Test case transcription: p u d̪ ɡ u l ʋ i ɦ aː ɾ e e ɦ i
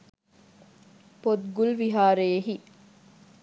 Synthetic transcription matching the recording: p o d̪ ɡ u l ʋ i ɦ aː ɾ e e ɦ i